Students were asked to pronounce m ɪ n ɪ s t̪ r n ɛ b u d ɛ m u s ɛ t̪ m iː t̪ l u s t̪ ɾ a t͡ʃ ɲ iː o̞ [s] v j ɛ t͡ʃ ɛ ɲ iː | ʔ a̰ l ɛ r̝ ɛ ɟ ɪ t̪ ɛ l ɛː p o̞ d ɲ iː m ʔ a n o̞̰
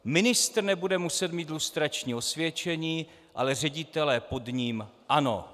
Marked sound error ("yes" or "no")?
no